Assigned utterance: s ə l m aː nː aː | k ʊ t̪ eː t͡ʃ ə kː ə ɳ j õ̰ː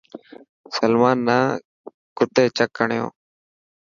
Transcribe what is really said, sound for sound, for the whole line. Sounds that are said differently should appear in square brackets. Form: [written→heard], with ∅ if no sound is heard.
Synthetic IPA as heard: s ə l m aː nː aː | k ʊ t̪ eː t͡ʃ ə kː ə ɳ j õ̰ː